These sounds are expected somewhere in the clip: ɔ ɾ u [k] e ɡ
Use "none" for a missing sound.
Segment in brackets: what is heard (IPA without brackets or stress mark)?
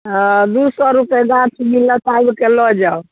p